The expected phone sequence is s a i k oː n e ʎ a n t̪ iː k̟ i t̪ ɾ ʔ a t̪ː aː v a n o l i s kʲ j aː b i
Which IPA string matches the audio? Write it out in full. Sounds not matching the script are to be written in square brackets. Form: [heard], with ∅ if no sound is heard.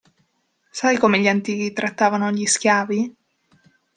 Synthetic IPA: s a [j] k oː [m] e ʎ a n t̪ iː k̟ i t̪ ɾ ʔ a t̪ː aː v a n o [ʎ] i s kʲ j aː [v] i